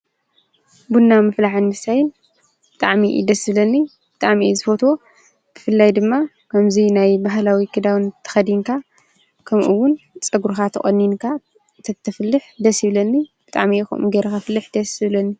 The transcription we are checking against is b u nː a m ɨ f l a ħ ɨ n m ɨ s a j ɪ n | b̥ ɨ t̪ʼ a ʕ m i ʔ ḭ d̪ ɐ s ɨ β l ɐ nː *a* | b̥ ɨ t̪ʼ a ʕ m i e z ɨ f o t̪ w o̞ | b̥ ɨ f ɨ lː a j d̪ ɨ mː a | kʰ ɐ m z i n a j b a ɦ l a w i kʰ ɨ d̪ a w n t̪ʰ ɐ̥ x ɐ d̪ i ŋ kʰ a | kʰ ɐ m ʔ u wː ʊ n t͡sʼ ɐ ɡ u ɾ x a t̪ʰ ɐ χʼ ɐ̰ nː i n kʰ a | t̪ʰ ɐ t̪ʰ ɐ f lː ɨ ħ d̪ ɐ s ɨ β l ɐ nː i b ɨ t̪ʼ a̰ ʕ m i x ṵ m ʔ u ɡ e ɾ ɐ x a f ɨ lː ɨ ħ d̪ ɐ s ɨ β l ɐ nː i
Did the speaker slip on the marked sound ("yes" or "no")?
yes